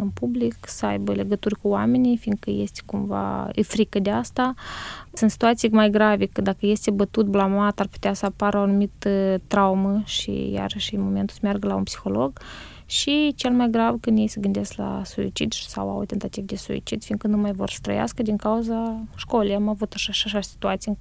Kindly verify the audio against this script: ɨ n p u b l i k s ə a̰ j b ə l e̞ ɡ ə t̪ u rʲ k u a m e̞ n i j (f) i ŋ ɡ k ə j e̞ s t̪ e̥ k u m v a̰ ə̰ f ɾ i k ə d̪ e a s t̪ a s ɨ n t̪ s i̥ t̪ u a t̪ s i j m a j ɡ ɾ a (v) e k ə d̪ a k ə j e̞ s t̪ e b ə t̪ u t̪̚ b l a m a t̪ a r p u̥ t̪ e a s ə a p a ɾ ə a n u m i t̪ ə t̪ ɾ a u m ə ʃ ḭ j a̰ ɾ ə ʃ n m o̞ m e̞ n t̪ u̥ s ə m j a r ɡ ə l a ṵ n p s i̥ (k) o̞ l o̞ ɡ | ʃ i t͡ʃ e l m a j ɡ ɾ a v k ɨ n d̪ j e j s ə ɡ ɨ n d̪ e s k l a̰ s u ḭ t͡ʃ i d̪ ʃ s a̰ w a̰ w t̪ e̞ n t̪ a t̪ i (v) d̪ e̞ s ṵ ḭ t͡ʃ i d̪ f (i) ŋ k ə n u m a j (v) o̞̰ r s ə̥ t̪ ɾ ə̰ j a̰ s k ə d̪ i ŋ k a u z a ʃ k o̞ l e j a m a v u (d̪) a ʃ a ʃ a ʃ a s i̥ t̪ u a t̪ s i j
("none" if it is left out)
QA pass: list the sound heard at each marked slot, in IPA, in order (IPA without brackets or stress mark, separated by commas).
f, v, x, v, i, v, t̪